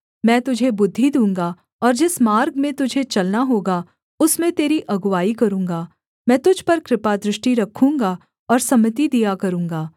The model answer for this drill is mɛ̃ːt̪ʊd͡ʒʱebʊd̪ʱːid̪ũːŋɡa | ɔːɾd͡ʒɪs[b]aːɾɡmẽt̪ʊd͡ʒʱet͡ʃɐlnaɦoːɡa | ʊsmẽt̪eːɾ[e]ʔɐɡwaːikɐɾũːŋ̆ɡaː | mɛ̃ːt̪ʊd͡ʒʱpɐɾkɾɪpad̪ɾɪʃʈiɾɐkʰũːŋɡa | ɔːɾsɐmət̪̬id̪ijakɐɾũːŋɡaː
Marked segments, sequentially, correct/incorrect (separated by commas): incorrect, incorrect